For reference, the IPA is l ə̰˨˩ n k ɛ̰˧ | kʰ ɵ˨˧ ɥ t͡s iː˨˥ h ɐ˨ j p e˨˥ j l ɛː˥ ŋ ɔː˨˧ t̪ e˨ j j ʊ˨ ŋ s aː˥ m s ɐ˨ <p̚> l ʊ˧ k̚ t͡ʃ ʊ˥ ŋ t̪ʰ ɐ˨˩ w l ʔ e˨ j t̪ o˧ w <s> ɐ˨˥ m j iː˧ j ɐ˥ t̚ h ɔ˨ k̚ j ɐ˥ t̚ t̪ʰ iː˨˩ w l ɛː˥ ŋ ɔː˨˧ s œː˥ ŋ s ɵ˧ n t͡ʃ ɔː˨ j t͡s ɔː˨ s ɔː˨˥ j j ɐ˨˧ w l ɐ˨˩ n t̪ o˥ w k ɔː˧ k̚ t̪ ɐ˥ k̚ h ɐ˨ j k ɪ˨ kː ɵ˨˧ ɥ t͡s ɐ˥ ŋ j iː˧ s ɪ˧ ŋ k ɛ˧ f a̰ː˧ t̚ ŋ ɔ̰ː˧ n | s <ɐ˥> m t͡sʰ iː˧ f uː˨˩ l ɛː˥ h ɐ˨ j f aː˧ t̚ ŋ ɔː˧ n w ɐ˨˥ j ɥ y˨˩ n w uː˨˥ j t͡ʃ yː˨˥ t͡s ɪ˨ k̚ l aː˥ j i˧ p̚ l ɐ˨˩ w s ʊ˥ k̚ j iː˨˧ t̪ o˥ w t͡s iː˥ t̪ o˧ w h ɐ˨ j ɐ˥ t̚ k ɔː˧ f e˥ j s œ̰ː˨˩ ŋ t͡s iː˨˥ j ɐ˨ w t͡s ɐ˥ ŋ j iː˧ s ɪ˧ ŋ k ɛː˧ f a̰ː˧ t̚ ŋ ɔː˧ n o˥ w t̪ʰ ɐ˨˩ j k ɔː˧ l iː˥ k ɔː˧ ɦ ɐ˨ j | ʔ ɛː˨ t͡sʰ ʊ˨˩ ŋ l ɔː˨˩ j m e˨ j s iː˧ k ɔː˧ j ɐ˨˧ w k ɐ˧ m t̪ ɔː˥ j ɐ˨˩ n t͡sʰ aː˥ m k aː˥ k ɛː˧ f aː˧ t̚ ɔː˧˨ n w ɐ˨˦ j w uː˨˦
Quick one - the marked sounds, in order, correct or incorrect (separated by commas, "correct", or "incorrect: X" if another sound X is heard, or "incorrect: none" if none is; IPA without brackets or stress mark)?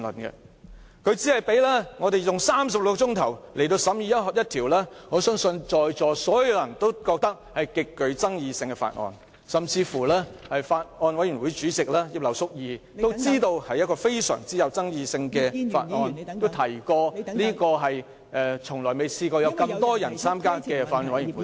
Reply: correct, correct, incorrect: ɐ˨